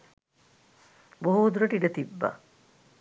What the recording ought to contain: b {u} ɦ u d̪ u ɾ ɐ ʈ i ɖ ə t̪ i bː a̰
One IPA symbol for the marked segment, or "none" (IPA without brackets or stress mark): o